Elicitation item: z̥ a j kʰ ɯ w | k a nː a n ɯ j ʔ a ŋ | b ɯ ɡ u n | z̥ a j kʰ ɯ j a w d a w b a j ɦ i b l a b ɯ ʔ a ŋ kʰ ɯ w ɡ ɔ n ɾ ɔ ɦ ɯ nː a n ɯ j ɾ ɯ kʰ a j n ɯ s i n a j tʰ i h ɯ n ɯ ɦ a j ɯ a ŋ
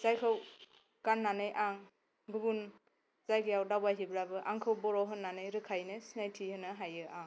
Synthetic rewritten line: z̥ a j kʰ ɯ w | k a nː a n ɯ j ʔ a ŋ | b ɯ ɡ u n | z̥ a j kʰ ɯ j a w d a w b a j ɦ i b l a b ɯ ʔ a ŋ kʰ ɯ w b ɔ ɾ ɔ ɦ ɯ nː a n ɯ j ɾ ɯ kʰ a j n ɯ s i n a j tʰ i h ɯ n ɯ ɦ a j ɯ a ŋ